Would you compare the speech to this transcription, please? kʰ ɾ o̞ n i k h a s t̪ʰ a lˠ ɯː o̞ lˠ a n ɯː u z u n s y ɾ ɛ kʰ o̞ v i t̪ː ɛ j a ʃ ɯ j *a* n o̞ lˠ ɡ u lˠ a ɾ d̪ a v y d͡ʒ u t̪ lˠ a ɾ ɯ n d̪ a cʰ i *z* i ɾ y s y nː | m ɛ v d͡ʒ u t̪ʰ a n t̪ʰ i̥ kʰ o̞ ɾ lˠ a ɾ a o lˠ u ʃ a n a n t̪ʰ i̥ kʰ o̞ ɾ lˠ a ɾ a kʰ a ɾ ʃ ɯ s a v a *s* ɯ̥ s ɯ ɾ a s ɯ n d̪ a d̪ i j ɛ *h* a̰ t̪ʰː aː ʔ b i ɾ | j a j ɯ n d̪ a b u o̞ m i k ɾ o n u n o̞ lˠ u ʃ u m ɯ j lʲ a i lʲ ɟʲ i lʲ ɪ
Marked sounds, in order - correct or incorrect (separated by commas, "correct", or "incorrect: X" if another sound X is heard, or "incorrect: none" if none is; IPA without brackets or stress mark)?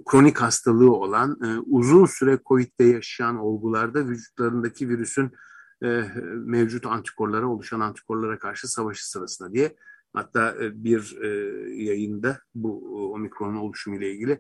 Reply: correct, incorrect: v, incorrect: ʃ, correct